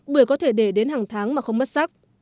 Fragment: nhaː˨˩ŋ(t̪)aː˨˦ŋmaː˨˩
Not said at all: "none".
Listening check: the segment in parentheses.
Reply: t̪ʰ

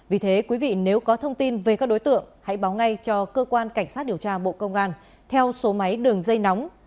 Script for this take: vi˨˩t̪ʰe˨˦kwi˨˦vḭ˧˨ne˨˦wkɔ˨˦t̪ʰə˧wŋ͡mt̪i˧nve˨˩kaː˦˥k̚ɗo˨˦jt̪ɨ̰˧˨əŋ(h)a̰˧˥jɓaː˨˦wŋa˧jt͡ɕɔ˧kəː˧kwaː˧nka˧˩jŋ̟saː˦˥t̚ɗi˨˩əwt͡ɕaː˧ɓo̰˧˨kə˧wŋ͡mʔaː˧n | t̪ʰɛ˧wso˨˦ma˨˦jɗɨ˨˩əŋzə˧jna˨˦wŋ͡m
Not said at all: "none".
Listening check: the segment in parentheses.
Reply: h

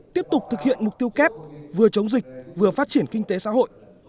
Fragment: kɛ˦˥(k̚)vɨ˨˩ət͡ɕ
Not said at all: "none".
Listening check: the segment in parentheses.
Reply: p̚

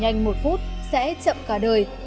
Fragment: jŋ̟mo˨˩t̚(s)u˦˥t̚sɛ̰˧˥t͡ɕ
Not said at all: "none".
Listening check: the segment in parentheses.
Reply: f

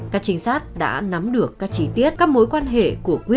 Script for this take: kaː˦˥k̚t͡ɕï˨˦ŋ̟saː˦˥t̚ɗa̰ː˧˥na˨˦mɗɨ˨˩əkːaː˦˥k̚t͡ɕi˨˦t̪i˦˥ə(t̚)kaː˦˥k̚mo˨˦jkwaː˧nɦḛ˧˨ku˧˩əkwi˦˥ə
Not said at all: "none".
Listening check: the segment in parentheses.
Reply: t̚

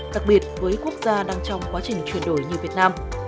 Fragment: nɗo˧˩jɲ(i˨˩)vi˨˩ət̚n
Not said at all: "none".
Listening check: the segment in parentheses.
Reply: i˨˩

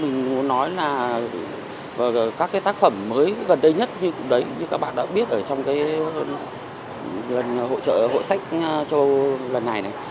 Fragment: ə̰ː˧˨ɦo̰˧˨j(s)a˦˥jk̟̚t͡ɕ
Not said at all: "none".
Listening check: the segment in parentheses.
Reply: s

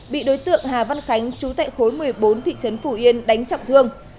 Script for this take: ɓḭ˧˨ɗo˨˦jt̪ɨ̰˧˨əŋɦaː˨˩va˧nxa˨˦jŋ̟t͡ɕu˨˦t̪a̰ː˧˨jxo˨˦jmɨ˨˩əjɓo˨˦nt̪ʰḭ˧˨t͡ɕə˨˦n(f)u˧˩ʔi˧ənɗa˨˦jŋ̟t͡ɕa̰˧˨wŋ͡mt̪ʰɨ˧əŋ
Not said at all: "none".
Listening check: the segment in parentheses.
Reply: f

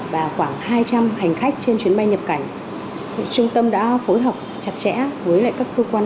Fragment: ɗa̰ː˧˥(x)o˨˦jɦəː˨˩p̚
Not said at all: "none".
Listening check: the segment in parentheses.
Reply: f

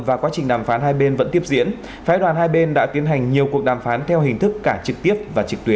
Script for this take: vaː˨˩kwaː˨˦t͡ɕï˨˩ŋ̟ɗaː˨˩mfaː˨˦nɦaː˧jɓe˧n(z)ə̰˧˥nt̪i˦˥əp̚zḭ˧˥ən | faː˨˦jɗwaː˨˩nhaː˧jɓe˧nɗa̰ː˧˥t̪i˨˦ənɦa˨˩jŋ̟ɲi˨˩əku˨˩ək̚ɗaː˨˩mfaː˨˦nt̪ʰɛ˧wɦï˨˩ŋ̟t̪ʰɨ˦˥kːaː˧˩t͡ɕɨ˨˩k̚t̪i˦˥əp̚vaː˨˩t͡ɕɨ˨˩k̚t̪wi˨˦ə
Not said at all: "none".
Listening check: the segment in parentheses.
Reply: v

